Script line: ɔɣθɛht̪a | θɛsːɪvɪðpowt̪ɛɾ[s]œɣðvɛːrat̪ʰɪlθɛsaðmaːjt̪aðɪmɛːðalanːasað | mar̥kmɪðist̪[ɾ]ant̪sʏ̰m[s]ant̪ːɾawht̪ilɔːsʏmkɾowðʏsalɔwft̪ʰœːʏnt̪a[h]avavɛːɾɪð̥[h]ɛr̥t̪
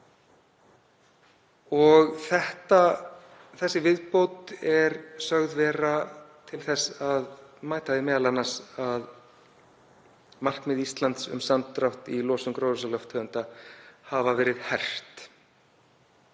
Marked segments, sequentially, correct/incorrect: correct, incorrect, correct, correct, correct

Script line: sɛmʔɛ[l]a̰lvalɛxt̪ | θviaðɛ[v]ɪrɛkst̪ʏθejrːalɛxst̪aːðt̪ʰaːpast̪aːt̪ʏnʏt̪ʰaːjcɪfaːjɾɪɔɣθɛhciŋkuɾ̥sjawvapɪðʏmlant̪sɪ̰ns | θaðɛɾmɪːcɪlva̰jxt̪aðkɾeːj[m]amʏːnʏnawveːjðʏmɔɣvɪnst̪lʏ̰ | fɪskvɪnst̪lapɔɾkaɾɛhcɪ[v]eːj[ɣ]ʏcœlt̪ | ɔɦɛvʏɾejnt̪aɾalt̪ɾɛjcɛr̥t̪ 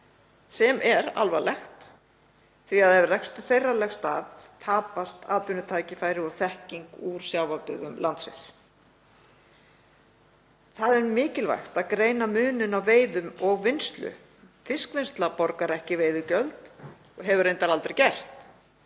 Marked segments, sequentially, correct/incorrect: incorrect, correct, incorrect, correct, incorrect

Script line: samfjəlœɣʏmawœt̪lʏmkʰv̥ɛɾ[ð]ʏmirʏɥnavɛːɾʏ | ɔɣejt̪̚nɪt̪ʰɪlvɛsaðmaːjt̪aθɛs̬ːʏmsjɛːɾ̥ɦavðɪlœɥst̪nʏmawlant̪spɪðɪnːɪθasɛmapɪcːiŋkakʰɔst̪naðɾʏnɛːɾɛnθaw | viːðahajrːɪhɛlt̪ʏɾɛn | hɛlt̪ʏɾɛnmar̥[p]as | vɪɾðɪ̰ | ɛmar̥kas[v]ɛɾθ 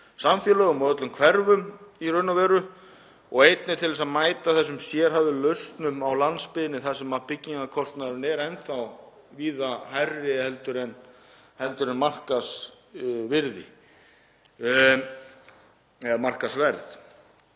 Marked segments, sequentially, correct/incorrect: incorrect, incorrect, correct

